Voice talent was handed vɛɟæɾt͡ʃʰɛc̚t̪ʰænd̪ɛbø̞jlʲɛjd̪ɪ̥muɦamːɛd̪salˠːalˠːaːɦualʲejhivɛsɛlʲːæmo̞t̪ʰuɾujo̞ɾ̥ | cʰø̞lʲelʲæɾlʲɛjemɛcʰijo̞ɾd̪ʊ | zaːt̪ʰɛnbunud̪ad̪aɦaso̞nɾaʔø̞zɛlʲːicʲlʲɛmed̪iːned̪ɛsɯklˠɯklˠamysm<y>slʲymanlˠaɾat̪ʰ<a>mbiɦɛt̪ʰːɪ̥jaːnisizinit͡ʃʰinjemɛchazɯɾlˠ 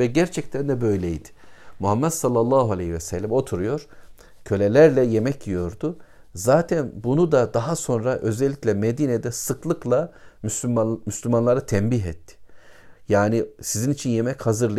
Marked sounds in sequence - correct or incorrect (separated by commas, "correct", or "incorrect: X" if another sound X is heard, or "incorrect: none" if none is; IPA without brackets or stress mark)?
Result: correct, incorrect: ɛ